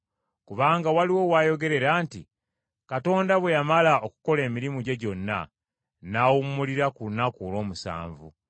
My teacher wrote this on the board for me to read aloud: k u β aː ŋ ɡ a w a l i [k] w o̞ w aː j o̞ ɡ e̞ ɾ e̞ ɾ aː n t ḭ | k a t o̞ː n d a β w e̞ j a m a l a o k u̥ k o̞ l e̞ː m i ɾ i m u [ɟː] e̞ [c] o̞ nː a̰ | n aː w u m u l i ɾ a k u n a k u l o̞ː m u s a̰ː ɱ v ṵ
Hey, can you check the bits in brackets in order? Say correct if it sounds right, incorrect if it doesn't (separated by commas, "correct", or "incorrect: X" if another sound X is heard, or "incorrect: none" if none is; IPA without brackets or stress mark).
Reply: incorrect: none, incorrect: ɟ, incorrect: ɟ